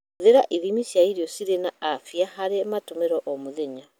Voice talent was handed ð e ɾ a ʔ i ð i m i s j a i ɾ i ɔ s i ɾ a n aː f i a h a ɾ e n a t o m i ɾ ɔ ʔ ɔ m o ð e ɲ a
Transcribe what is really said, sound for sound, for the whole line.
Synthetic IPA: ð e ɾ a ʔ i ð i m i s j a i ɾ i ɔ s i ɾ e n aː f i a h a ɾ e m a t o m e ɾ ɔ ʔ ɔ m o ð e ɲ a